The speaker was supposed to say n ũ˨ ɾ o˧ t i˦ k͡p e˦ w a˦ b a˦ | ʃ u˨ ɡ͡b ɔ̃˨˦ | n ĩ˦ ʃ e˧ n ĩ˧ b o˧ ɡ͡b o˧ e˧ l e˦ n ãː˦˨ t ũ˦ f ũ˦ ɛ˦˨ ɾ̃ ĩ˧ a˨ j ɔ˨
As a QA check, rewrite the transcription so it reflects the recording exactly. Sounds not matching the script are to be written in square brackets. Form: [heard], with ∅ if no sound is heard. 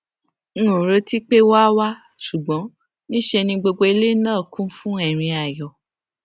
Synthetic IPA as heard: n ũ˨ ɾ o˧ t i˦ k͡p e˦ w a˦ [w] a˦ | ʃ u˨ ɡ͡b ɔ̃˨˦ | n ĩ˦ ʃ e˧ n ĩ˧ [ɡ͡b] o˧ ɡ͡b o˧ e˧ l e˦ n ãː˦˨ [k] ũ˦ f ũ˦ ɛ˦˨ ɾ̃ ĩ˧ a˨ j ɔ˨